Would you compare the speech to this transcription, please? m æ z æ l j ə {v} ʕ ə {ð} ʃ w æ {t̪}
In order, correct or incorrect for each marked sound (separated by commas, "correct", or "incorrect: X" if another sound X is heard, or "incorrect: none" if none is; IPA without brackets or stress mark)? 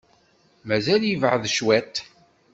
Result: correct, correct, correct